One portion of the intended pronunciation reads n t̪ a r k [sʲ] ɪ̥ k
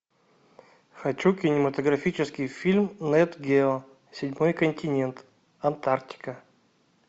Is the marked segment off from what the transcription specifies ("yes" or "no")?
yes